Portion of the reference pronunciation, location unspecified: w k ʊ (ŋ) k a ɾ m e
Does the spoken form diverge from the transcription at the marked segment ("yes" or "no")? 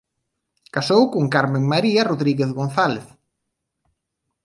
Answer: no